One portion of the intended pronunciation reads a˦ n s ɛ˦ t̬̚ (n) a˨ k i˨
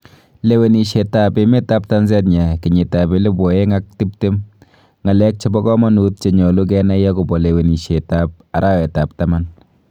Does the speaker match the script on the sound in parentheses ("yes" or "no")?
no